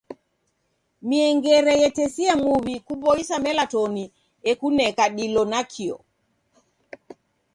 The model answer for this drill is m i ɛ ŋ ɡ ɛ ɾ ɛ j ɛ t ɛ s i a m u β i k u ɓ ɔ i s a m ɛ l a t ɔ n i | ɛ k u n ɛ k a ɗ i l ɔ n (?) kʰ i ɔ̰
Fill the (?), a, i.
a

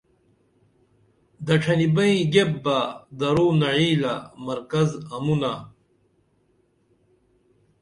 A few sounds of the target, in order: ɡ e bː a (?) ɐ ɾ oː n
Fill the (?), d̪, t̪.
d̪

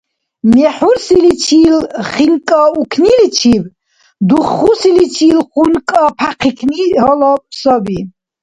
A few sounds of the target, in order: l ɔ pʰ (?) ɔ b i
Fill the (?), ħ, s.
s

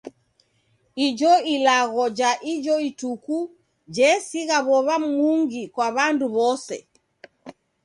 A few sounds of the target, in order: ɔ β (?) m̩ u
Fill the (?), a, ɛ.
a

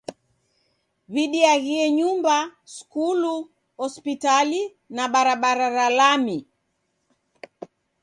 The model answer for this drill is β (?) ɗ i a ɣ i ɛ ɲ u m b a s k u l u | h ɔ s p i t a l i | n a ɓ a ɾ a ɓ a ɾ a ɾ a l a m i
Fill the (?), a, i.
i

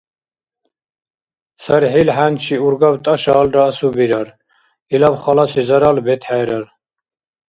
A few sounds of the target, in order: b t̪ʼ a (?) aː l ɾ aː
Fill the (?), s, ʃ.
ʃ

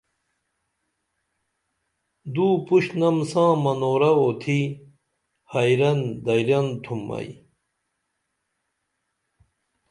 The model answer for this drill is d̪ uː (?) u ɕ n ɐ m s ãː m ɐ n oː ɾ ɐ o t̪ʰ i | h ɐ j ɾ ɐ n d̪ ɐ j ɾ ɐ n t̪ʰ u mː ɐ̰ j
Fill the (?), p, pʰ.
p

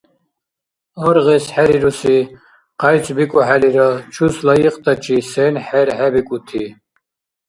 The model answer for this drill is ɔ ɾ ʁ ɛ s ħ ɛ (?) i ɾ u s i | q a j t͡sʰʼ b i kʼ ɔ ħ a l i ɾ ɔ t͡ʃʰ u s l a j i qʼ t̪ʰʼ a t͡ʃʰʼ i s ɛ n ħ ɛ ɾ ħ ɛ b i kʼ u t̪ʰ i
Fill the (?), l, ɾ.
ɾ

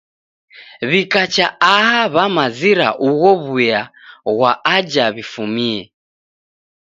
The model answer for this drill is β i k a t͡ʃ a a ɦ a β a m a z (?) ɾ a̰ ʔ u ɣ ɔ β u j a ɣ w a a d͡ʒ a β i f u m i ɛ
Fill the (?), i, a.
i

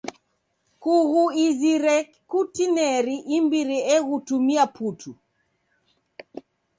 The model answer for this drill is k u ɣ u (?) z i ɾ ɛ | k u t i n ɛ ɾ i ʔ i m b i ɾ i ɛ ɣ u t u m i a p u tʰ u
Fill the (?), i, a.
i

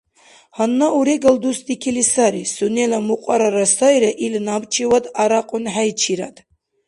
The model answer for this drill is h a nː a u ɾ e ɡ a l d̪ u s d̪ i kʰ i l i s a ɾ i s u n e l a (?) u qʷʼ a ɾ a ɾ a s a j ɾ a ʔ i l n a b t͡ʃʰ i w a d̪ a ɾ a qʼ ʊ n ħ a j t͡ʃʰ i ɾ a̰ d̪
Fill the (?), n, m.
m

